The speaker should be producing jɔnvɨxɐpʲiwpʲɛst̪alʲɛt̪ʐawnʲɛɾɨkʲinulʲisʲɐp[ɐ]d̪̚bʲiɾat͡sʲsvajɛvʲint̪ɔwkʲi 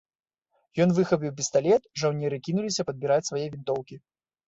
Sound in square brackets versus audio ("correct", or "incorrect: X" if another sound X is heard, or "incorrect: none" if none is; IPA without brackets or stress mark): correct